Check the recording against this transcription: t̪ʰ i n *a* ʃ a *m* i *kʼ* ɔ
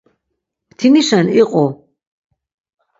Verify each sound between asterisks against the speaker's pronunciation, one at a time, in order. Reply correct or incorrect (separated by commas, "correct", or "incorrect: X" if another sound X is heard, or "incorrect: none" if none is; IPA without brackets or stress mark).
incorrect: i, incorrect: n, incorrect: qʼ